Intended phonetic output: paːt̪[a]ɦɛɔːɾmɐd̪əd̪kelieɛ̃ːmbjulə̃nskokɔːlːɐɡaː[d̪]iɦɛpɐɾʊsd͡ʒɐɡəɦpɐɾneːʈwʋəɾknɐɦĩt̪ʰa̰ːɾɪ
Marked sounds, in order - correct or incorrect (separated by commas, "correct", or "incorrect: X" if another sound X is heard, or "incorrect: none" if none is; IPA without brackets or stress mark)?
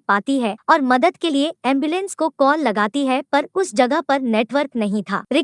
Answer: incorrect: i, incorrect: t̪